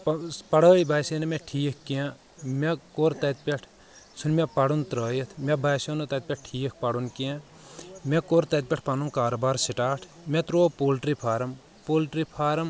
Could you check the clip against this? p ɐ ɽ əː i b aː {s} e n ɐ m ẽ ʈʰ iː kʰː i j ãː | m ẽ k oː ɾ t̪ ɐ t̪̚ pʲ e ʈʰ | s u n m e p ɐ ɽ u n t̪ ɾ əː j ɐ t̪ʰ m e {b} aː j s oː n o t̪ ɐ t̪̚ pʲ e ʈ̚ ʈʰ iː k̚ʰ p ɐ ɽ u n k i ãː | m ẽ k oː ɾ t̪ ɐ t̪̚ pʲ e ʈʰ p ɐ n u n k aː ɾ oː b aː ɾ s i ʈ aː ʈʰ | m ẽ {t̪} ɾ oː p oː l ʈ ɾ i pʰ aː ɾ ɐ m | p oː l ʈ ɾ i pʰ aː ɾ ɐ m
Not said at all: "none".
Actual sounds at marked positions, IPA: s, b, t̪

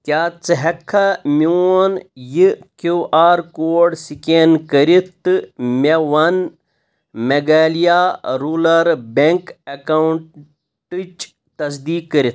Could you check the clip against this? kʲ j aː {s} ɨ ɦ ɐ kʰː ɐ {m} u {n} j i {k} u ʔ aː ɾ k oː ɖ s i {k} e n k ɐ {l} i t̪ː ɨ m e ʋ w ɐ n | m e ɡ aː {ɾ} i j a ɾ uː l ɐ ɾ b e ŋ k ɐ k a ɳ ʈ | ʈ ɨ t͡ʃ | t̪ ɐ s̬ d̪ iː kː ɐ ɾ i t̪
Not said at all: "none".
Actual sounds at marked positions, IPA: t͡s, m, n, k, k, ɾ, l

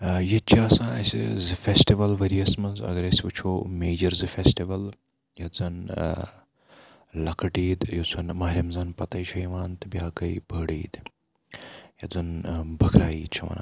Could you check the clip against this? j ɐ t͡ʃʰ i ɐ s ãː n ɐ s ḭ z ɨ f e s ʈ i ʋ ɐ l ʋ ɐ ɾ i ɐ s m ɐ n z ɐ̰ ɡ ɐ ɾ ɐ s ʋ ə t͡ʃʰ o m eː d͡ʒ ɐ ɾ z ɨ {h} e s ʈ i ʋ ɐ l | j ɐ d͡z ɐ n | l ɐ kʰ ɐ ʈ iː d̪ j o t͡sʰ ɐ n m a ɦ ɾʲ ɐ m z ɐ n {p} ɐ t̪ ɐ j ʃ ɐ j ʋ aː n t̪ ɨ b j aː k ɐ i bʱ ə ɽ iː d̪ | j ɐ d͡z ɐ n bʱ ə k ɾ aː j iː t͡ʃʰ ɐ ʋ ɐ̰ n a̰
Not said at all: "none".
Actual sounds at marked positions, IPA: f, p

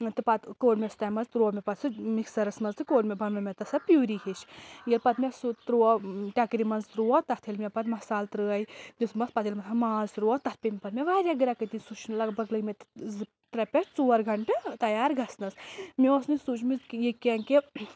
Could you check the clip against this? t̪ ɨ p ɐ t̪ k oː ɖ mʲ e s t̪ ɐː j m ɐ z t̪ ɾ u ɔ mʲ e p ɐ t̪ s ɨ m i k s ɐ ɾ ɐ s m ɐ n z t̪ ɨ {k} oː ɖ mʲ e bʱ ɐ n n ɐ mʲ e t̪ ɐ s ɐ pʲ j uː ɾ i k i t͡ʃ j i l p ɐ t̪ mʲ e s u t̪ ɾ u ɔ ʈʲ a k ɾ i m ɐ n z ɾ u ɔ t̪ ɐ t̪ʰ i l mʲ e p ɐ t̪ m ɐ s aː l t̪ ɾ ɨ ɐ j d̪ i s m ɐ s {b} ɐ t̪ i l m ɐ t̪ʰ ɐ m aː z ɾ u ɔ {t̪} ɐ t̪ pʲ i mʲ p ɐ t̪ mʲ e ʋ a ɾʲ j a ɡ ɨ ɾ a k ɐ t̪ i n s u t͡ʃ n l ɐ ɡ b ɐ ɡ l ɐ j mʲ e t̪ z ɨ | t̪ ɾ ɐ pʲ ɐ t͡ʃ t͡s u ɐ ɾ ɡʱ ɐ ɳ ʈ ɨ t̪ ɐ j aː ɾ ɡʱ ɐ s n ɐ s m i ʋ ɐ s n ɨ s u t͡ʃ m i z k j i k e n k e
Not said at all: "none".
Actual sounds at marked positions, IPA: k, p, t̪

